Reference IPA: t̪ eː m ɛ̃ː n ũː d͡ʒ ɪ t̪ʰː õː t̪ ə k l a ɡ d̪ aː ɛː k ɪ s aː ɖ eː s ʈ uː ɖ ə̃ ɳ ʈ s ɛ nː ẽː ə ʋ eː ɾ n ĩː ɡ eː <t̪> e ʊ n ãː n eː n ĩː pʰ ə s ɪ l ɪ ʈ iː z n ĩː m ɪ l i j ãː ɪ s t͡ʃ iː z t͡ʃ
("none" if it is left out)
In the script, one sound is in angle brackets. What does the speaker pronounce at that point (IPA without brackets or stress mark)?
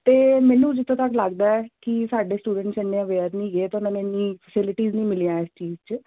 t̪